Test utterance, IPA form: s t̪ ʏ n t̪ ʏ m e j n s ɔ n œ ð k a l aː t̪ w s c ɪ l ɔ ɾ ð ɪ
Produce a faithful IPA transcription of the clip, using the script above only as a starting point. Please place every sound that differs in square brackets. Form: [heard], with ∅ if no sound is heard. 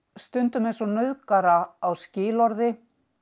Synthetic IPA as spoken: s t̪ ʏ n t̪ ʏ m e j n s ɔ n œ ð k a [ɾ] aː [∅] w s c [ɪː] l ɔ ɾ ð ɪ